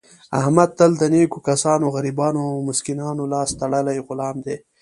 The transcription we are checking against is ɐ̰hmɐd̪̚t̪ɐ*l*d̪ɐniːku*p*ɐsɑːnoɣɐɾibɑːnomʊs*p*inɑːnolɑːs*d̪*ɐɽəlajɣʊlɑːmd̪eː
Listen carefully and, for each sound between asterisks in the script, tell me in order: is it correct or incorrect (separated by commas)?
correct, incorrect, incorrect, incorrect